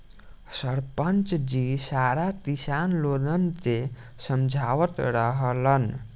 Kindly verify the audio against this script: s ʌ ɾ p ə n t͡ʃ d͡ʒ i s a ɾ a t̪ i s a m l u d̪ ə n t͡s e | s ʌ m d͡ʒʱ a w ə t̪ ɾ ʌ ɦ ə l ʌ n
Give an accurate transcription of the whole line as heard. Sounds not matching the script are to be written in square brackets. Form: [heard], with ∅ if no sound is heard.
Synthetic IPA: s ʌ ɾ p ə n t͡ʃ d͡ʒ i s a ɾ a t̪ i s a [n] l [o] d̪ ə n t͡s e | s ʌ m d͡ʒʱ a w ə t̪ ɾ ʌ ɦ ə l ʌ n